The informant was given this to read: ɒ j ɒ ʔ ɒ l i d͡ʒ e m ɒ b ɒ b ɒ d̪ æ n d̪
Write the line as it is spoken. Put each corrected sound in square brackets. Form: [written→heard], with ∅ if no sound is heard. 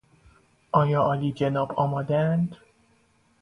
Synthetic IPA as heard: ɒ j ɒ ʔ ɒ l i d͡ʒ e [m→n] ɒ b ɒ [b→m] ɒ d̪ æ n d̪